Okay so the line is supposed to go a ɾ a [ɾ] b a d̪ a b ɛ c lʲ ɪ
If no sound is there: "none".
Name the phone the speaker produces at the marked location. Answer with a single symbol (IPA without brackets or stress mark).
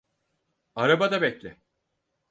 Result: none